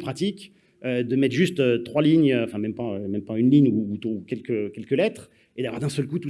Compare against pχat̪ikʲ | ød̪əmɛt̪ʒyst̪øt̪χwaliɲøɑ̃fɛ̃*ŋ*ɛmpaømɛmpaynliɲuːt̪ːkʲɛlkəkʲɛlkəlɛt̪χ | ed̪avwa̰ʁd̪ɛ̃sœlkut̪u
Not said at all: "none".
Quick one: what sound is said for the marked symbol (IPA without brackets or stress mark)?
m